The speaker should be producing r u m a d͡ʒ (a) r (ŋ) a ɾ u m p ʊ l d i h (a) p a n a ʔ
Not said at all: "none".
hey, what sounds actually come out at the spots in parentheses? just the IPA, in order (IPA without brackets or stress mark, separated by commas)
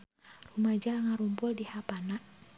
a, ŋ, a